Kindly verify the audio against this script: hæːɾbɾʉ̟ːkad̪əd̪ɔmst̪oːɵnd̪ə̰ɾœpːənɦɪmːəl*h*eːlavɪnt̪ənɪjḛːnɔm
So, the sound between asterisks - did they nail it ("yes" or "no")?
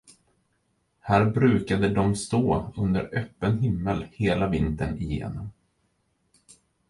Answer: yes